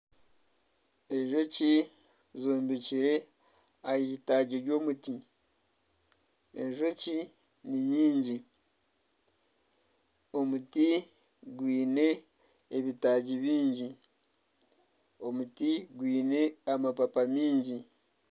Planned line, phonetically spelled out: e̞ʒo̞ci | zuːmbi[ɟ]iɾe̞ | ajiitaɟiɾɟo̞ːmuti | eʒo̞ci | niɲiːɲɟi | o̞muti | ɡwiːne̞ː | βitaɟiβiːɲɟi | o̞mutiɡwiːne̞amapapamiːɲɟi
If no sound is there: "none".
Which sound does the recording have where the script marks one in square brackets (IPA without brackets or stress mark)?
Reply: c